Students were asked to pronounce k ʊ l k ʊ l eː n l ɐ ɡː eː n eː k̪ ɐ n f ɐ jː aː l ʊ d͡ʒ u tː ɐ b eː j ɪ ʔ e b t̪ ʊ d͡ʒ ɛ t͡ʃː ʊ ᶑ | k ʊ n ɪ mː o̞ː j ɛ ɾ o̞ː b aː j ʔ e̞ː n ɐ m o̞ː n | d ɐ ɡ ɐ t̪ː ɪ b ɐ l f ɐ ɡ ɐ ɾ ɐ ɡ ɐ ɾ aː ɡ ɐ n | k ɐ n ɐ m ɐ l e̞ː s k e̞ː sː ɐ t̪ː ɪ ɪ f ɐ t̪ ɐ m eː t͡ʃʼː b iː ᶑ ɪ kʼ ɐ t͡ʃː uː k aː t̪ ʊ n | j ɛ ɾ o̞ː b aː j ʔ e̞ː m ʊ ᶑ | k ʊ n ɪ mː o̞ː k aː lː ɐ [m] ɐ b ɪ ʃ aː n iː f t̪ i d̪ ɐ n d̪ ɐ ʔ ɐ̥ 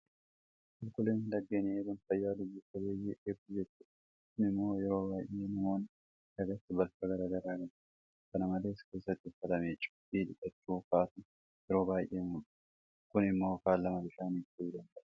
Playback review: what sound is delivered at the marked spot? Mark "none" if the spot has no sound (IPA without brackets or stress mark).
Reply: m